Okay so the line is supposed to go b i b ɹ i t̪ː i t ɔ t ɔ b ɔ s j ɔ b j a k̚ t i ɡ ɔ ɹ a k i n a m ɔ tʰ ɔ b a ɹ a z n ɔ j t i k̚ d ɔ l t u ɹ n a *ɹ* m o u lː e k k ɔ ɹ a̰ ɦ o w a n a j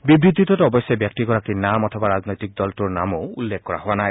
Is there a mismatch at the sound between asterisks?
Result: yes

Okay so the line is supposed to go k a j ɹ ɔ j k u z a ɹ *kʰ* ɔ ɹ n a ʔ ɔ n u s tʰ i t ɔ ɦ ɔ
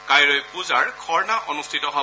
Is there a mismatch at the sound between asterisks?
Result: no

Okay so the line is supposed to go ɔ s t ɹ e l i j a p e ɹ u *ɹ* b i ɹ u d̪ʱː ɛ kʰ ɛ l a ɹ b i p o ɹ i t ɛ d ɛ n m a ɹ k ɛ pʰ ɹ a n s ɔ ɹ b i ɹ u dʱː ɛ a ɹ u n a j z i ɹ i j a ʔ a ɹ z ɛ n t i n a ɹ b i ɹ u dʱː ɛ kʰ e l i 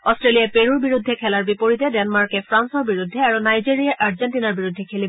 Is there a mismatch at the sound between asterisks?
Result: no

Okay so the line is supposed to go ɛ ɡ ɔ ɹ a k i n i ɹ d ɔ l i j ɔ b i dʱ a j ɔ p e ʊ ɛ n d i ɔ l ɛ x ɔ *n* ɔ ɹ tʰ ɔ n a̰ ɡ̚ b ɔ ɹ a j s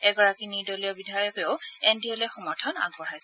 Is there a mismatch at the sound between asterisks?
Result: yes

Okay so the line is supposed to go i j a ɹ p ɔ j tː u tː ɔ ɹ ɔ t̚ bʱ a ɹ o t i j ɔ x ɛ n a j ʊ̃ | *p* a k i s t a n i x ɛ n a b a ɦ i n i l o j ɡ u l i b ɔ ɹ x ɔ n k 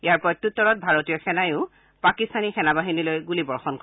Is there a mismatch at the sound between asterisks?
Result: no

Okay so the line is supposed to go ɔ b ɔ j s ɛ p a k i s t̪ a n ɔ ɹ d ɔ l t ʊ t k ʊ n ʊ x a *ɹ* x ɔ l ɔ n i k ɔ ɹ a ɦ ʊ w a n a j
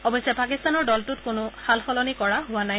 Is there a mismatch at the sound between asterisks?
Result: yes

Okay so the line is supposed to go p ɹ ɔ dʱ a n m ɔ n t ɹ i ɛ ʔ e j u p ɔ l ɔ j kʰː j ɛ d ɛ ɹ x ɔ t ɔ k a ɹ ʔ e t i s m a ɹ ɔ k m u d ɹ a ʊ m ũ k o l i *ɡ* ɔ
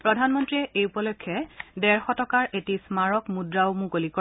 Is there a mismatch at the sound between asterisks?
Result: yes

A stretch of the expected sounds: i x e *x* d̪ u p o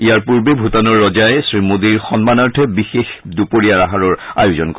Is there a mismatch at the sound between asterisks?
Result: no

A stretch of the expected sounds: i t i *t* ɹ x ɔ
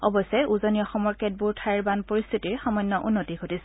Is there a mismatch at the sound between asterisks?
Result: yes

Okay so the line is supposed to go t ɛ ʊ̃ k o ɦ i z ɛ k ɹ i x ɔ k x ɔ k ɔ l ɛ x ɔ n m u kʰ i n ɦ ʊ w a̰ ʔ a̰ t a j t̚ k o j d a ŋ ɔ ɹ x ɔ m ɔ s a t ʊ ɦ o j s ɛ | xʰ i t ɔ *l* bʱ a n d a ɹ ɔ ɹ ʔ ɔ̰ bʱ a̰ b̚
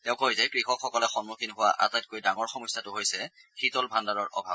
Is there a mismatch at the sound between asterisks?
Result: no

